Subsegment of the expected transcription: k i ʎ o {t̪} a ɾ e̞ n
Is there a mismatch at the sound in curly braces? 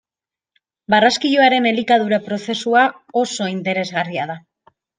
yes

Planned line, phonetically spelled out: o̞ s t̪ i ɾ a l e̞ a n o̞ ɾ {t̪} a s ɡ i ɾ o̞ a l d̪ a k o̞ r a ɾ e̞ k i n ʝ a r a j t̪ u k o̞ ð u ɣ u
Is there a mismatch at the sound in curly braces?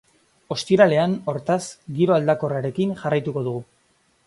no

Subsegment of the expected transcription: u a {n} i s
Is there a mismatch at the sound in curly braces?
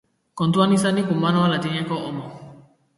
no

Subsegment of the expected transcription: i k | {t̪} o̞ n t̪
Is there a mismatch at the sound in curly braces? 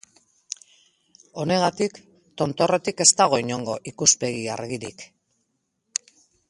no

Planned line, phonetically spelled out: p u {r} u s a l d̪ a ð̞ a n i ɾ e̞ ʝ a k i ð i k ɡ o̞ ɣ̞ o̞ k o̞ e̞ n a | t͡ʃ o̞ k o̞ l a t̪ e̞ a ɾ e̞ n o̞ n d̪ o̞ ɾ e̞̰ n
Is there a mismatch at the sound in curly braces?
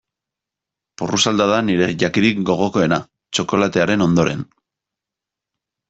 no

